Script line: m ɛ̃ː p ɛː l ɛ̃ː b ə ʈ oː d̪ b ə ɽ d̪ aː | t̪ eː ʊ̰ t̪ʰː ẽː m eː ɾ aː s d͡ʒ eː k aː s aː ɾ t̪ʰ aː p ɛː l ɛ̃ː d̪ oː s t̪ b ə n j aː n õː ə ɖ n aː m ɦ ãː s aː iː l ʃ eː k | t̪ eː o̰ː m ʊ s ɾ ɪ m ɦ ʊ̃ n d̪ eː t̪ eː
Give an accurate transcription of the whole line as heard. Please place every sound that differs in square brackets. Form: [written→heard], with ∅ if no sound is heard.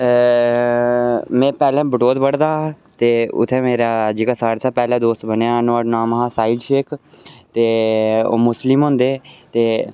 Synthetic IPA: m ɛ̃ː p ɛː l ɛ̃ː b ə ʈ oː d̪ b ə ɽ d̪ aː | t̪ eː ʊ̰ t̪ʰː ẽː m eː ɾ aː [s→∅] d͡ʒ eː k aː s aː ɾ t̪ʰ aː p ɛː l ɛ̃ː d̪ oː s t̪ b ə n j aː n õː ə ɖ n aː m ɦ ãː s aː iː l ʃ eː k | t̪ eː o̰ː m ʊ s [ɾ→l] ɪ m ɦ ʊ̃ n d̪ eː t̪ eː